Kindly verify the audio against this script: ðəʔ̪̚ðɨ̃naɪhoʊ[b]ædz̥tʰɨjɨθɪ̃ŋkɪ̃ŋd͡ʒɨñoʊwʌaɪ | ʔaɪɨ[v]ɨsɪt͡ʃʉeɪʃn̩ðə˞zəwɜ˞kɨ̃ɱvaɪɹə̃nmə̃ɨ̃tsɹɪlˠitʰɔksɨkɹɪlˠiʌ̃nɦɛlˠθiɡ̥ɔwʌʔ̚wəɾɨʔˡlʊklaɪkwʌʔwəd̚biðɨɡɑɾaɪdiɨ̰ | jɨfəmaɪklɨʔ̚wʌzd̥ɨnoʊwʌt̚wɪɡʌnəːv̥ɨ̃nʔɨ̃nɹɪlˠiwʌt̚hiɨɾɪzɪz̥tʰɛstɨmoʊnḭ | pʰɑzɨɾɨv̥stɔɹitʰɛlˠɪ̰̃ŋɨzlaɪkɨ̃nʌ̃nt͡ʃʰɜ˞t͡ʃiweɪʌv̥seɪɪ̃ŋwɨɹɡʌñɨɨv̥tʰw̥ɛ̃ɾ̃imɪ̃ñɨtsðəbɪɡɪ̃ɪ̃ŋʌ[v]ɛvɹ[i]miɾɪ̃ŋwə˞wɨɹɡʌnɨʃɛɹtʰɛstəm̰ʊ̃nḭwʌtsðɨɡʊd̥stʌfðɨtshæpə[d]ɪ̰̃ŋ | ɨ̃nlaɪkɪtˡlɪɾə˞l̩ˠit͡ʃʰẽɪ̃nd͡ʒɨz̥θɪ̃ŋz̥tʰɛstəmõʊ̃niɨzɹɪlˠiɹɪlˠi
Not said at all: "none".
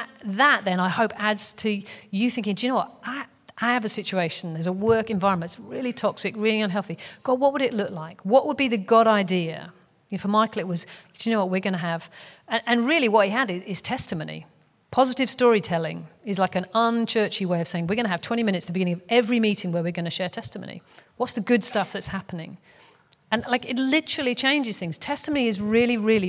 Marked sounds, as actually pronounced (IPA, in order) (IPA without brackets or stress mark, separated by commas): p, v, v, i, n